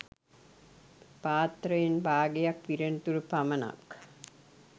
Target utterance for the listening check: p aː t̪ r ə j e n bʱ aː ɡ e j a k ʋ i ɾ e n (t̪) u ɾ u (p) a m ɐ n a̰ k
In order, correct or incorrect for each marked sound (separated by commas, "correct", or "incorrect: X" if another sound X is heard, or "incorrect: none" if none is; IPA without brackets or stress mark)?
correct, correct